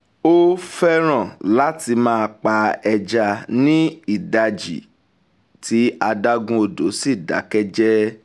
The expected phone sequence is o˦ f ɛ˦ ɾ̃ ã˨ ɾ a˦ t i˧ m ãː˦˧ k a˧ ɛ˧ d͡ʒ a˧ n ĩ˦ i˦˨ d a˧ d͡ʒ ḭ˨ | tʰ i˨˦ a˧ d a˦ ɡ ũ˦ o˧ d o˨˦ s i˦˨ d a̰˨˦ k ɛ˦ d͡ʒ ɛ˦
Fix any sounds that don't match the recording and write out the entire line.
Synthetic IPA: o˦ f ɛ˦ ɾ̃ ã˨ l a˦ t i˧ m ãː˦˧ k͡p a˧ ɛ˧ d͡ʒ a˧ n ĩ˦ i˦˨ d a˧ d͡ʒ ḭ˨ | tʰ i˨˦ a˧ d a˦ ɡ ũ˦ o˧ d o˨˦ s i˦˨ d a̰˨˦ k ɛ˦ d͡ʒ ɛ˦